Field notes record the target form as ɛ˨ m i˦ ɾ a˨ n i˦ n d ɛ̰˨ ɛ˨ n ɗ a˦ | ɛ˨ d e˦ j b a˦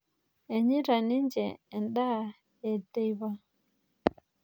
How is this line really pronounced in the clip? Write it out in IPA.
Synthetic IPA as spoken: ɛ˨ ɲ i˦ ɾ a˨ n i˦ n d͡ʒ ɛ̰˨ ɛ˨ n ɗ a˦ | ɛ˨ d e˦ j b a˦